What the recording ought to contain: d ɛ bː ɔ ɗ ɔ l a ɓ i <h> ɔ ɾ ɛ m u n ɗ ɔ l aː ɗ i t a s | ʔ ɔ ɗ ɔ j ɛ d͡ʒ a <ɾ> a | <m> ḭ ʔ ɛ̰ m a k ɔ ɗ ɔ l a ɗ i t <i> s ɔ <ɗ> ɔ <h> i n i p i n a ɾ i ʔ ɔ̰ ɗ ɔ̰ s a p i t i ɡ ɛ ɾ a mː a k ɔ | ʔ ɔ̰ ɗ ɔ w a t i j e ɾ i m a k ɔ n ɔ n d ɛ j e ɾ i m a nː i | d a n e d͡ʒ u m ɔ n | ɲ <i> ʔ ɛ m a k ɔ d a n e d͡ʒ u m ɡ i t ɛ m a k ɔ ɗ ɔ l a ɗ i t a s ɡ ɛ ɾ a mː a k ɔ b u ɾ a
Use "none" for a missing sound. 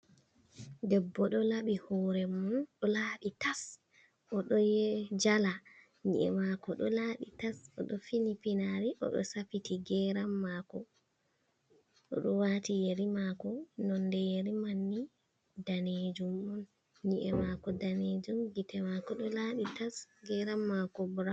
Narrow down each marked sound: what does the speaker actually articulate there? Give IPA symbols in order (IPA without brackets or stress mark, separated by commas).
h, l, ɲ, a, ɗ, f, i